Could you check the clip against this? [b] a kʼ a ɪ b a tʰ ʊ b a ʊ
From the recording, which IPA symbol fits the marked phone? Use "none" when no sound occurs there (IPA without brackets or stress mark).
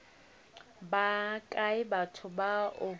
b